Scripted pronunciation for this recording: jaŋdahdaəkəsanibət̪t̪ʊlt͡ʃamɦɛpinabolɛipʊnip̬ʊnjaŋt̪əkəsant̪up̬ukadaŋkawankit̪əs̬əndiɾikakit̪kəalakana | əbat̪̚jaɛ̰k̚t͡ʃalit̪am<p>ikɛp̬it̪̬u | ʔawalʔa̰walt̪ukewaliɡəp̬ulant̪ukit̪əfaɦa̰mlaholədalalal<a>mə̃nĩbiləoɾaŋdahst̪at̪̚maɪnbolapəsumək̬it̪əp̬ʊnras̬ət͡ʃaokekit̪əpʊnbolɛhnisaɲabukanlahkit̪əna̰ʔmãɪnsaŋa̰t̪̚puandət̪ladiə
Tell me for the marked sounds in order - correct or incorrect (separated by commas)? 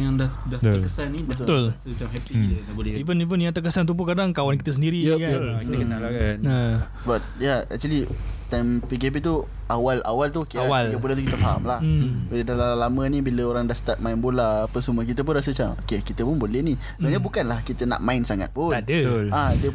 correct, correct